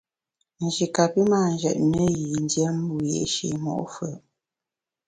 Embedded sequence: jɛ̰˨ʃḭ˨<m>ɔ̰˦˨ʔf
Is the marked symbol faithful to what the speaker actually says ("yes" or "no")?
yes